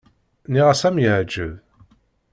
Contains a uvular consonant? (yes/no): yes